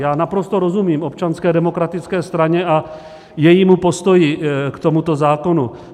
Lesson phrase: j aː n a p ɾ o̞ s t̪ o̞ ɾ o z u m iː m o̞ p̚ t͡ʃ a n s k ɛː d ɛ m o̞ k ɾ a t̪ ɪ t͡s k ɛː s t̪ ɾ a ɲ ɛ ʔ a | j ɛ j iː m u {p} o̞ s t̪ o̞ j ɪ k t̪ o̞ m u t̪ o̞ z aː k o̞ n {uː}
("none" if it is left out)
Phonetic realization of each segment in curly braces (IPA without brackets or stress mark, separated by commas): p, u